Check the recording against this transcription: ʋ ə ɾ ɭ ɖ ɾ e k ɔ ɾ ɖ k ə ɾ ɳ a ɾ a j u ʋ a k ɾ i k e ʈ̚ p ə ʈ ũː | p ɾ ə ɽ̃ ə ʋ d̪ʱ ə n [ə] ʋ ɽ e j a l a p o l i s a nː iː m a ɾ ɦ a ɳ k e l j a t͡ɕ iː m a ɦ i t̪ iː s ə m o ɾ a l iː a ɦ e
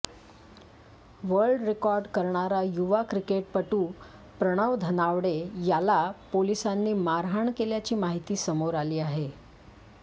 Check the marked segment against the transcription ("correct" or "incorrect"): incorrect